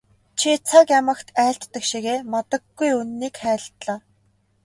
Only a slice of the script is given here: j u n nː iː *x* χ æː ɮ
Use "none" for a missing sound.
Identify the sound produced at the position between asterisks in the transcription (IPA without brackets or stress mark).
k